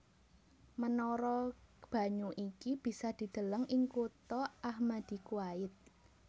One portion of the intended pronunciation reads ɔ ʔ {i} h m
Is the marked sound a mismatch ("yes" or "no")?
yes